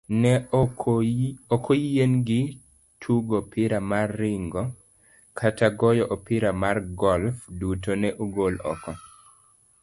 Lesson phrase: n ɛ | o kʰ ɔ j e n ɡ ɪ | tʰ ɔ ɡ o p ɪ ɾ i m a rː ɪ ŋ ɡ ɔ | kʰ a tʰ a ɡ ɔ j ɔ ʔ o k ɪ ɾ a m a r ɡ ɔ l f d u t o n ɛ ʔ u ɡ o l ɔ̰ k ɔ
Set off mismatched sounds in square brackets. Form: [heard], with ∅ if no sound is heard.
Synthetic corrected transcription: n ɛ | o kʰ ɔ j e n ɡ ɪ | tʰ [u] ɡ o p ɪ ɾ [a] m a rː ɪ ŋ ɡ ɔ | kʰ a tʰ a ɡ ɔ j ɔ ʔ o [p] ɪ ɾ a m a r ɡ ɔ l f d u t o n ɛ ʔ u ɡ o l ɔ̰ k ɔ